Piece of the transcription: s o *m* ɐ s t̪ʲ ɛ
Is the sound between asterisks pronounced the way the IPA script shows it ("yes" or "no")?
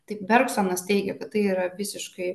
no